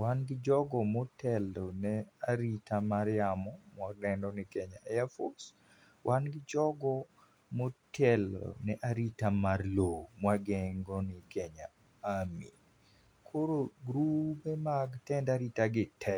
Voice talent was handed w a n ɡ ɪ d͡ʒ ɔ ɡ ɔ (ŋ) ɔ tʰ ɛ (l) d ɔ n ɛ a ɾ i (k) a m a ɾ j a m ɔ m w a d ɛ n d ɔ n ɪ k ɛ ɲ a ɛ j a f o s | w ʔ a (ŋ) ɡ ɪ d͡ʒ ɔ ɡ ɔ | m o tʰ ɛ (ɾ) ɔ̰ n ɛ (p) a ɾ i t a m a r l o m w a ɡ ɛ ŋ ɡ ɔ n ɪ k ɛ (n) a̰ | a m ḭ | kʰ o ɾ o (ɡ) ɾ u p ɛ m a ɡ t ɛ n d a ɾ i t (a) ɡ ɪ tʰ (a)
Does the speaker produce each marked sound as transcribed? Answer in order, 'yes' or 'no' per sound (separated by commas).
no, yes, no, no, no, no, no, yes, yes, no